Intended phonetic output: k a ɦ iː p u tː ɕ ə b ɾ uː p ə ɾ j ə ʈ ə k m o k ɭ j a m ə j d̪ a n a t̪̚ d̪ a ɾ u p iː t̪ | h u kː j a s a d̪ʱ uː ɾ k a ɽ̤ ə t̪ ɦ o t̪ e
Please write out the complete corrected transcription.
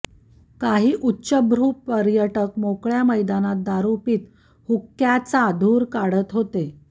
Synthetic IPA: k a ɦ iː ʔ u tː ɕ ə b ɾ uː p ə ɾ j ə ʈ ə k m o k ɭ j a m ə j d̪ a n a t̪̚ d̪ a ɾ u p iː t̪ | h u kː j a t͡s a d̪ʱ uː ɾ k a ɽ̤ ə t̪ ɦ o t̪ e